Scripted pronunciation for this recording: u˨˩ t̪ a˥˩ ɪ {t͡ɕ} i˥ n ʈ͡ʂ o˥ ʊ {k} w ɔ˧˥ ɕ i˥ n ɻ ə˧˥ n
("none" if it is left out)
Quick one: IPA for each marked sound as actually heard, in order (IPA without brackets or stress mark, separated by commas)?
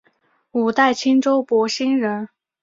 t͡ɕʰ, p